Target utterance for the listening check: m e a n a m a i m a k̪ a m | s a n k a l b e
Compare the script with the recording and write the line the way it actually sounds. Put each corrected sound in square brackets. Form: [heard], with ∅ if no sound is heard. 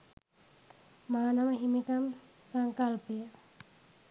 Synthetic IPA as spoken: m [a] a n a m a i m [i] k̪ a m | s a [ŋ] k a l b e